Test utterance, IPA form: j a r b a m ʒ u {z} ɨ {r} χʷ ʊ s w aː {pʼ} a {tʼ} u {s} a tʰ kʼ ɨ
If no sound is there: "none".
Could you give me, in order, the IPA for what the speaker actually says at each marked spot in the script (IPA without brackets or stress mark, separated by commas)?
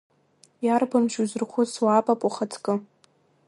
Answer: z, r, pʼ, pʼ, χ